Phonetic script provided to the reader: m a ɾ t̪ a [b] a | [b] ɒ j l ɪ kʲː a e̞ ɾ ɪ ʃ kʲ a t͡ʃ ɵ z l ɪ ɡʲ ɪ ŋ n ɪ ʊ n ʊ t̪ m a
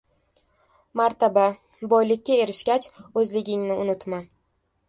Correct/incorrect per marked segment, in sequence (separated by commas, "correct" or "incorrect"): correct, correct